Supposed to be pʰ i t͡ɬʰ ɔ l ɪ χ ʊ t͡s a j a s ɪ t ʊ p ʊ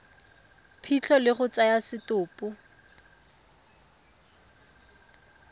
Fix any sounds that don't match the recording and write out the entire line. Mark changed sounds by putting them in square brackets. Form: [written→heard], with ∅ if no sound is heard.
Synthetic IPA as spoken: pʰ i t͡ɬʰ ɔ l ɪ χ ʊ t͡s a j a s ɪ t [ʊ→ʊː] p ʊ